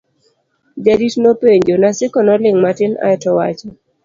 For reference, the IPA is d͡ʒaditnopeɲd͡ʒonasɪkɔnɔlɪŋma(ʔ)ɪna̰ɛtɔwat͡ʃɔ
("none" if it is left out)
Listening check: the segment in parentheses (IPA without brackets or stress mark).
t